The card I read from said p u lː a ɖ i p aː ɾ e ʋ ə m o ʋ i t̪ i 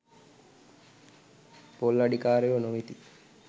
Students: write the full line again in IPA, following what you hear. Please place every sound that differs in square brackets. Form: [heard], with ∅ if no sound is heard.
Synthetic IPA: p [o] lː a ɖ i [k] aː ɾ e ʋ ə [n] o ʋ i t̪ i